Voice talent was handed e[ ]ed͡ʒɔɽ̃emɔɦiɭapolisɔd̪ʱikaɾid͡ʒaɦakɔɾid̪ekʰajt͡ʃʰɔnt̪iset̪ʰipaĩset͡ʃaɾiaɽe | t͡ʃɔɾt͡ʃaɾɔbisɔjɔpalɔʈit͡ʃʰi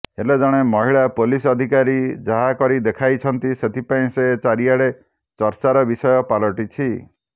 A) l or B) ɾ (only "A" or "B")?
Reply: A